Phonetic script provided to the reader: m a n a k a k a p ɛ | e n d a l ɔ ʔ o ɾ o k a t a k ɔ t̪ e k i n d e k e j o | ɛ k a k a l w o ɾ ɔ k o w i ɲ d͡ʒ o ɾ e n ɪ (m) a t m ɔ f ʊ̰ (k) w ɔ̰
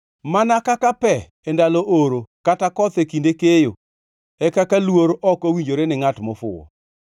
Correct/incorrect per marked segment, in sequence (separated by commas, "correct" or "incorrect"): incorrect, incorrect